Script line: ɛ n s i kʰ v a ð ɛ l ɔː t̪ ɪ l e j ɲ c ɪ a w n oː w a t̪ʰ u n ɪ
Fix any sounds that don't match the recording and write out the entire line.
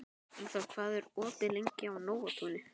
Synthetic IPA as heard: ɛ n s a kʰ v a ð ɛ ɾ ɔː t̪ ɪ l e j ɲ c ɪ a w n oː w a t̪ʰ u n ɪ